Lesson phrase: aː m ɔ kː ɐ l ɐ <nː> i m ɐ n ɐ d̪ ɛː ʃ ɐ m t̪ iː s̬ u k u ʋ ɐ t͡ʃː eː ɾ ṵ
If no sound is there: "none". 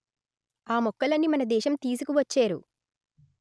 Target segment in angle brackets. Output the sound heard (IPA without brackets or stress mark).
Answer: nː